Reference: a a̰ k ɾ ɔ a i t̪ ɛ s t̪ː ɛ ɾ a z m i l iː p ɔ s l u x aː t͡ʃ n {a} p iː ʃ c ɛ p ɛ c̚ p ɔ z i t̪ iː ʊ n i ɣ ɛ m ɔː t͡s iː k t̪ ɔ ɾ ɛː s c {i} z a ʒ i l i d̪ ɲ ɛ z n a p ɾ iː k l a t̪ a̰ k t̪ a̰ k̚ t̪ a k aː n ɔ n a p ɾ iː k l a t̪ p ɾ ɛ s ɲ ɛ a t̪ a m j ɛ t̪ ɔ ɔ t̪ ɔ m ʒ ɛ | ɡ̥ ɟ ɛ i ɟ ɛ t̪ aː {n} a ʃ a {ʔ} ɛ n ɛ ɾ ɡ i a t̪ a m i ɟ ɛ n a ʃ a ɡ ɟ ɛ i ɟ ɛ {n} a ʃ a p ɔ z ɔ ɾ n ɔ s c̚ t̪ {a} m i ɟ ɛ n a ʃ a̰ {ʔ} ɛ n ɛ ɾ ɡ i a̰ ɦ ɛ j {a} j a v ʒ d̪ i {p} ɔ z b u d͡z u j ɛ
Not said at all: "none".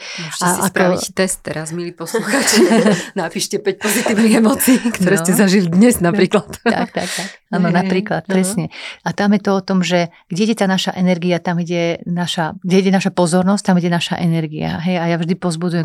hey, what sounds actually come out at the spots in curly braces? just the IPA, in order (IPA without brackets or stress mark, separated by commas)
a, ɛ, n, ʔ, n, a, ʔ, a, p